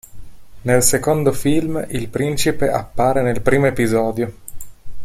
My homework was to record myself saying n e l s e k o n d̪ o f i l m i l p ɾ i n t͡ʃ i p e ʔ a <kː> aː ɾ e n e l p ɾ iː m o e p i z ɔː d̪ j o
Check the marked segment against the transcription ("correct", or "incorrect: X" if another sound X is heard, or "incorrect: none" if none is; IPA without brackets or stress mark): incorrect: pː